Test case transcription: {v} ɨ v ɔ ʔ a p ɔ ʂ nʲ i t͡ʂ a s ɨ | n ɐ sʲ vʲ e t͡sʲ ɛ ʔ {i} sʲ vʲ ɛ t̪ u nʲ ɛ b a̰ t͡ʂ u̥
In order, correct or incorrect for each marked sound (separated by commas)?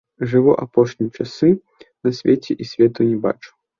incorrect, correct